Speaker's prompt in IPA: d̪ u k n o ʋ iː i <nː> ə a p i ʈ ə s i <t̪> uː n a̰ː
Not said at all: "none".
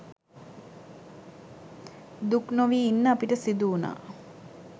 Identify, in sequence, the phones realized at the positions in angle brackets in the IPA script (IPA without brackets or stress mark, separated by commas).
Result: nː, d̪